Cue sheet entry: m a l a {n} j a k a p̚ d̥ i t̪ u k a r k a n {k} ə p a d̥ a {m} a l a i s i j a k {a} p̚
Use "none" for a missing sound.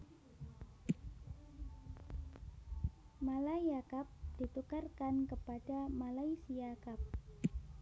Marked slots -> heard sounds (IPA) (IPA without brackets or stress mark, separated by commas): none, k, m, a